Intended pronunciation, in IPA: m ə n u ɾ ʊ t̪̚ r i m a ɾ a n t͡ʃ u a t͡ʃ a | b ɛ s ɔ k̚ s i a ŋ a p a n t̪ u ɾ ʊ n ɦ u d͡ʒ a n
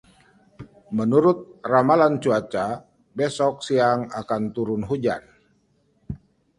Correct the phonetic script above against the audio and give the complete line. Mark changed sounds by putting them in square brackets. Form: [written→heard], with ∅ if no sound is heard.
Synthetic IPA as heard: m ə n u ɾ ʊ t̪̚ r [i→a] m a [ɾ→l] a n t͡ʃ u a t͡ʃ a | b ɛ s ɔ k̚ s i a ŋ a [p→k] a n t̪ u ɾ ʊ n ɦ u d͡ʒ a n